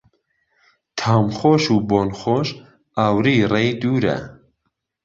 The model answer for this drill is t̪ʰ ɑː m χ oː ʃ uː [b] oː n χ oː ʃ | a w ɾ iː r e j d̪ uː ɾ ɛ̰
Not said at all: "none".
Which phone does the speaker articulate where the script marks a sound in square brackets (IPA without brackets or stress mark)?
b